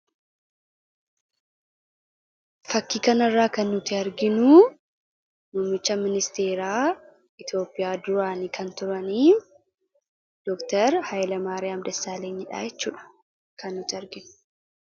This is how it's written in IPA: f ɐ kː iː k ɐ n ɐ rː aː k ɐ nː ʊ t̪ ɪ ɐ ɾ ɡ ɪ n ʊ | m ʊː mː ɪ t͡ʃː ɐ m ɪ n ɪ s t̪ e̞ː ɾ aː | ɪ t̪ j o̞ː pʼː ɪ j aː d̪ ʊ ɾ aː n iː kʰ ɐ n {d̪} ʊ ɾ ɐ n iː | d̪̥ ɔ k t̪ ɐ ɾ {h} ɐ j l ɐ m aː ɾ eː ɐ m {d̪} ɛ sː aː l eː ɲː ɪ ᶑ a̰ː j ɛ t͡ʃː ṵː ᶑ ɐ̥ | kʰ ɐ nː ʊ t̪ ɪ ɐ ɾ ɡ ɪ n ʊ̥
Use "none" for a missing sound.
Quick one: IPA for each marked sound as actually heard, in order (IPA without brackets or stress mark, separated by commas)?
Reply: t̪, h, d̪